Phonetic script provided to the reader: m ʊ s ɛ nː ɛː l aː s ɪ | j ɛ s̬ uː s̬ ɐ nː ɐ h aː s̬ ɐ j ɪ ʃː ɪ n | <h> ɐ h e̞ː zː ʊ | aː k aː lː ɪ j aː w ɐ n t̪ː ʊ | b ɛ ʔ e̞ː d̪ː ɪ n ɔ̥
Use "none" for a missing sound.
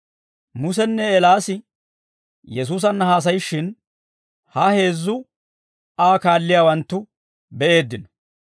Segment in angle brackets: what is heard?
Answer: h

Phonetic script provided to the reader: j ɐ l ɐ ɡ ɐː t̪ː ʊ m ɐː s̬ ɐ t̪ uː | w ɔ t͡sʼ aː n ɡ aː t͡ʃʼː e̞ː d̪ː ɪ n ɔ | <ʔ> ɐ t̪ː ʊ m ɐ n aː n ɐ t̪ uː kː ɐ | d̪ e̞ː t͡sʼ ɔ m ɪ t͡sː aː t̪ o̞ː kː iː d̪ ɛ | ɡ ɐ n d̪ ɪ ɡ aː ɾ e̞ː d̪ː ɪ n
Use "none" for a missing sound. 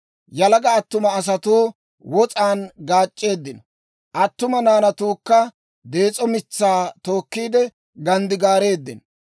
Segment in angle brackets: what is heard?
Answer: ʔ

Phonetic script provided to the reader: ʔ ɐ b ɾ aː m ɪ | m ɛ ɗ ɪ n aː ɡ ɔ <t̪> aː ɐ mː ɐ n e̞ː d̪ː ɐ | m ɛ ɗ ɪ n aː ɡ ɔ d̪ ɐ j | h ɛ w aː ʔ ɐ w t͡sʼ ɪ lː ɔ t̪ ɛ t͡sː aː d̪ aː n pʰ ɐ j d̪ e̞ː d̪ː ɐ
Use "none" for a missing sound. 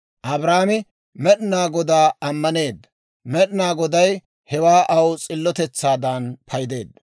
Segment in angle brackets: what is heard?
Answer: d̪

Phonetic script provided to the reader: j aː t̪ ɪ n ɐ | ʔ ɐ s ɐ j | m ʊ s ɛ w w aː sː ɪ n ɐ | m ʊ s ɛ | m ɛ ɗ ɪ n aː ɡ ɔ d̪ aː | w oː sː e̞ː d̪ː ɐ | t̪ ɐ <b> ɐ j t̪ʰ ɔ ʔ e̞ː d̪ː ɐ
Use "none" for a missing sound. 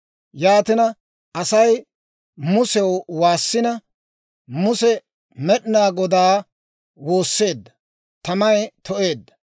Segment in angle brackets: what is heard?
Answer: m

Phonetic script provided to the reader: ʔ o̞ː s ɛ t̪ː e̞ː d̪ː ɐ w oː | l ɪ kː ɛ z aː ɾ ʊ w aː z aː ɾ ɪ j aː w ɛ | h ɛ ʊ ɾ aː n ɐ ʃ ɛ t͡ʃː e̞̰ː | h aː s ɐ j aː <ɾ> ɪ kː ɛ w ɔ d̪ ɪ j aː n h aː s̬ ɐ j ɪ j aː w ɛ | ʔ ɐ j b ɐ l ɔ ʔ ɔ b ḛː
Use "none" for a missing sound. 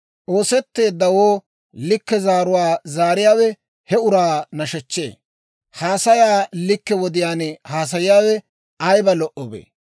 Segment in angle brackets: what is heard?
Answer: l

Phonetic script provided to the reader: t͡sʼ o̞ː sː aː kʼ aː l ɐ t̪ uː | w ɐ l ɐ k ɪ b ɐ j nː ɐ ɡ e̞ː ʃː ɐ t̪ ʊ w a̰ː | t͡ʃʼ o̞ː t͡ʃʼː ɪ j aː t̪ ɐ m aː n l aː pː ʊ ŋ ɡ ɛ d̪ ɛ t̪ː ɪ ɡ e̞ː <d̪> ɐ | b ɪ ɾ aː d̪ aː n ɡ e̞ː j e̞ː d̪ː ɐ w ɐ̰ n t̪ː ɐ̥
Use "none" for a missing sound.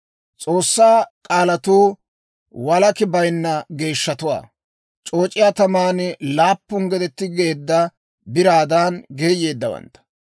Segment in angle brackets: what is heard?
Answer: d̪ː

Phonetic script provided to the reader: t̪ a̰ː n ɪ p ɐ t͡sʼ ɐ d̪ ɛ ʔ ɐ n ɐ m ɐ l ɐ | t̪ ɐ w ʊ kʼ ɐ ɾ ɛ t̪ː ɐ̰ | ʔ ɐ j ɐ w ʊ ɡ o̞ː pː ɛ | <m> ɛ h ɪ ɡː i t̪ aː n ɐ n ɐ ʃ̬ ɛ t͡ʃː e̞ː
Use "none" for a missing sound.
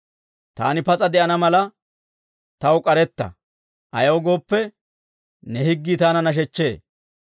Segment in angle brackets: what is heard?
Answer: n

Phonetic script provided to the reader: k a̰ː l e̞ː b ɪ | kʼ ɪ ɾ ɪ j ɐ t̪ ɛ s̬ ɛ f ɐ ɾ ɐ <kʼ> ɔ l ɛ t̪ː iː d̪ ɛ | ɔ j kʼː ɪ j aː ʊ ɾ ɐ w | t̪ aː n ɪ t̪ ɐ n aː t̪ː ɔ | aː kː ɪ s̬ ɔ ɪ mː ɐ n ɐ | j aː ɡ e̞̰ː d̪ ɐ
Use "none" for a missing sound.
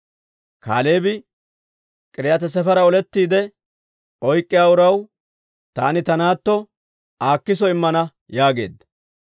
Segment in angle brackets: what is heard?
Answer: none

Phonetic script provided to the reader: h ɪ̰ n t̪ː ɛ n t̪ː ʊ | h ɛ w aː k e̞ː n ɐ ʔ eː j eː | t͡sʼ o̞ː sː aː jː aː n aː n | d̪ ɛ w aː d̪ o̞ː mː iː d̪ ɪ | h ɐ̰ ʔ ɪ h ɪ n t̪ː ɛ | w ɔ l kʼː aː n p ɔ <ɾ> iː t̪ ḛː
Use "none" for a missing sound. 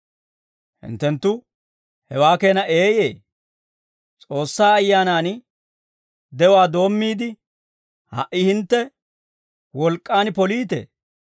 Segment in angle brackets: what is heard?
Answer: l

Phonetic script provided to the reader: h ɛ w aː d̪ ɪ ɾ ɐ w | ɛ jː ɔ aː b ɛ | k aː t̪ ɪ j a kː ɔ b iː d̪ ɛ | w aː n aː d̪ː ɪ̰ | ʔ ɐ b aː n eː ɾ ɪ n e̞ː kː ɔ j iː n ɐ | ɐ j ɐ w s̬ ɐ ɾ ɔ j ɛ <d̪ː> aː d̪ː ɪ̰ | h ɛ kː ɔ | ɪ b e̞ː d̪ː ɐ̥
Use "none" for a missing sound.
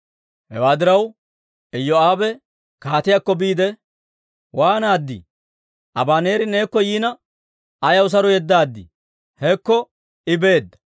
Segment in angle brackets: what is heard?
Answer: d̪ː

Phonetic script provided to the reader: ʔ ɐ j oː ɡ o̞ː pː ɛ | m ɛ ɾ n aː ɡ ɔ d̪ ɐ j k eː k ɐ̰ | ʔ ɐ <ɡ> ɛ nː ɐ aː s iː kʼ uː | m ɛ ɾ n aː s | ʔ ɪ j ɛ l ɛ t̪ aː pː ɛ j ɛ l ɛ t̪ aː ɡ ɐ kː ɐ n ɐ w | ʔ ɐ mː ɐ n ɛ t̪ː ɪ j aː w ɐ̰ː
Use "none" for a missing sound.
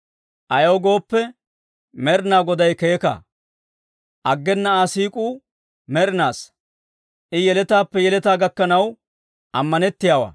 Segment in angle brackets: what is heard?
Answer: ɡː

